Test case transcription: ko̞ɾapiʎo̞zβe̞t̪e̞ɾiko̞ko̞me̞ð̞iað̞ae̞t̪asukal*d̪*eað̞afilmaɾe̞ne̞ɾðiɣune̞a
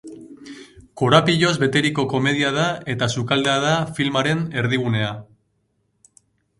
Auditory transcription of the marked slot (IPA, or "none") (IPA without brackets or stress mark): d̪